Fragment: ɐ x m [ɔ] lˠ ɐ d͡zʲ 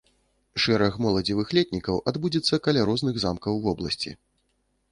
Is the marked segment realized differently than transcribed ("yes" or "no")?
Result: no